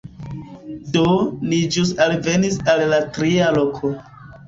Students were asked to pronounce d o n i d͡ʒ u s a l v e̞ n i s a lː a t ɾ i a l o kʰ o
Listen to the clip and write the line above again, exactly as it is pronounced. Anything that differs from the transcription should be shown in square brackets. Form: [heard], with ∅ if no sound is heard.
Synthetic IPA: d o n i d͡ʒ u s a l v e̞ n i s a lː a t ɾ i a l o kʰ o